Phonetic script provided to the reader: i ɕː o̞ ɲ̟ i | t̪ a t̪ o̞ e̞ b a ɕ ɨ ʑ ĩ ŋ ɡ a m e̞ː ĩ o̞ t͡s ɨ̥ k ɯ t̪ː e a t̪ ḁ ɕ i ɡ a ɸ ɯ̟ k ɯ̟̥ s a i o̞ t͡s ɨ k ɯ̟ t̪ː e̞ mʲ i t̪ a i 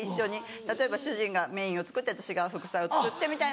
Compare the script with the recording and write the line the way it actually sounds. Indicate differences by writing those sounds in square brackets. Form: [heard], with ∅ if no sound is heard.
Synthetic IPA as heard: i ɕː o̞ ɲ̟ i | t̪ a t̪ o̞ e̞ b a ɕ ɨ ʑ ĩ ŋ ɡ a m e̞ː ĩ o̞ t͡s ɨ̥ k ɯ t̪ː e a t̪ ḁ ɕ i ɡ a ɸ ɯ̟ k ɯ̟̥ s a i o̞ t͡s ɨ k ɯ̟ t̪ː e̞ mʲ i t̪ a i